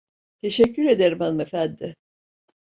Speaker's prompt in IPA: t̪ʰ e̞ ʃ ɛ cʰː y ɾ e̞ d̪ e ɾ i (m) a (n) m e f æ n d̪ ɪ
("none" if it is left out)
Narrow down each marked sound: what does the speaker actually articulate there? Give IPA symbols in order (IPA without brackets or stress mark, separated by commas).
m, n